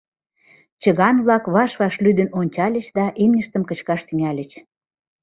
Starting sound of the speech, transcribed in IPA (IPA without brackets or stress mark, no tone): t͡ɕ